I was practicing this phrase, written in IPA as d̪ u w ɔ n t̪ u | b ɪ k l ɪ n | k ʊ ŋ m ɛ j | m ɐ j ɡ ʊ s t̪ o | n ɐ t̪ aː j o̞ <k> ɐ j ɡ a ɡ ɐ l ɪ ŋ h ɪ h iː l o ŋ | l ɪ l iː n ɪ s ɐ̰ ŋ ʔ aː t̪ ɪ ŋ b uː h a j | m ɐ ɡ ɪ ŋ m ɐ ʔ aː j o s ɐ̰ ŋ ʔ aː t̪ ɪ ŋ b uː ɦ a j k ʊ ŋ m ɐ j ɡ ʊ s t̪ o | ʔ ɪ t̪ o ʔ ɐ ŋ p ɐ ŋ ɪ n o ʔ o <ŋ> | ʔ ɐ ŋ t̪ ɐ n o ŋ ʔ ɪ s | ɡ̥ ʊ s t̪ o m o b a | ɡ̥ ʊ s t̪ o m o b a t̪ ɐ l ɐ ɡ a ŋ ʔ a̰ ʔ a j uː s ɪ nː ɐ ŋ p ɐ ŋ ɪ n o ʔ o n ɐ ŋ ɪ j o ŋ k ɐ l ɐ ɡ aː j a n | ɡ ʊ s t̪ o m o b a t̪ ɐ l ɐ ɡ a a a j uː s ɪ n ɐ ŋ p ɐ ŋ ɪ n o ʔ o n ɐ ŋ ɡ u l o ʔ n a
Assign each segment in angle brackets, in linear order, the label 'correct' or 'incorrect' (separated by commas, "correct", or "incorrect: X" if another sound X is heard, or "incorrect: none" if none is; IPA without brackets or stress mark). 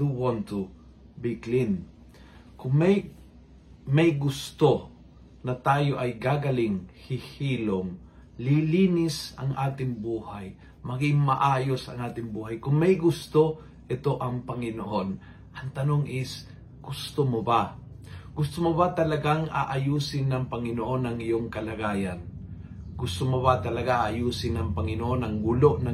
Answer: incorrect: ʔ, incorrect: n